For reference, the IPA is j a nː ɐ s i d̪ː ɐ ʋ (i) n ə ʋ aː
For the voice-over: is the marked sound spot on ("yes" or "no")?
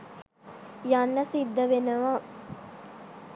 no